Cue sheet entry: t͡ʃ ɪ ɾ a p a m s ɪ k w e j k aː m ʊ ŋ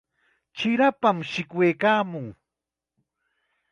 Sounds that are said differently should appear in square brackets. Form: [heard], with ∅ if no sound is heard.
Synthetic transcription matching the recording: t͡ʃ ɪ ɾ a p a m [ʃ] ɪ k w e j k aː m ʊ ŋ